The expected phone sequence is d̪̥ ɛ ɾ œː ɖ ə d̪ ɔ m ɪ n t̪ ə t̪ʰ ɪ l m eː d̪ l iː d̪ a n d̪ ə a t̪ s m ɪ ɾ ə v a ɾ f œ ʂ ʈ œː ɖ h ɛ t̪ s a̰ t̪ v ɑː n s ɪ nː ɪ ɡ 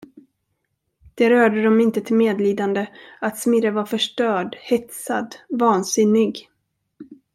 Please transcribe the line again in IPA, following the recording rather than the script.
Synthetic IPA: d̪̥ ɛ ɾ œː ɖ ə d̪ ɔ m ɪ n t̪ ə t̪ʰ ɪ l m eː d̪ l iː d̪ a n d̪ ə a t̪ s m ɪ ɾ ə v a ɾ f œ ʂ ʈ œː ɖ h ɛ t̪ s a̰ d̪ v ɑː n s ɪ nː ɪ ɡ